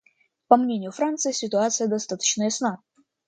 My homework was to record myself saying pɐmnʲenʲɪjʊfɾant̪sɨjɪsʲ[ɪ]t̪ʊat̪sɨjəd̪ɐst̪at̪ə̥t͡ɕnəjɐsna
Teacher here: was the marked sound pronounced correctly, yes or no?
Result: yes